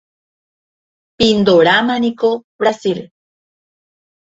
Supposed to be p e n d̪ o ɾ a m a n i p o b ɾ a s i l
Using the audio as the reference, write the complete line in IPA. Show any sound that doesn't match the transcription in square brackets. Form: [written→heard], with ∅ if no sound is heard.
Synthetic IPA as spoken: p [e→i] n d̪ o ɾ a m a n i [p→k] o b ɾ a s i l